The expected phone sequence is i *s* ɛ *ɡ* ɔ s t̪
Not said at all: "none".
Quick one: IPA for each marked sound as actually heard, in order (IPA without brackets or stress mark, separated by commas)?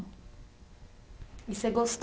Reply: s, ɡ